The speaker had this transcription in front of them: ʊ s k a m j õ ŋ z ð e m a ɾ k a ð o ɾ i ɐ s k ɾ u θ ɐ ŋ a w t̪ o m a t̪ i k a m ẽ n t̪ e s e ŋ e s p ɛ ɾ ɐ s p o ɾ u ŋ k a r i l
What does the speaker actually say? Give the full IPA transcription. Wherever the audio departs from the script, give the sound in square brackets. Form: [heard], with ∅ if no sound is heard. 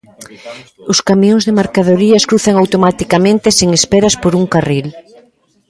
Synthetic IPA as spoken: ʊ s k a m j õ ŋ z ð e m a ɾ k a ð o ɾ i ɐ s k ɾ u θ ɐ ŋ a w t̪ o m a t̪ i k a m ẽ n t̪ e s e ŋ e s p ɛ ɾ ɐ s p o ɾ u ŋ k a r i l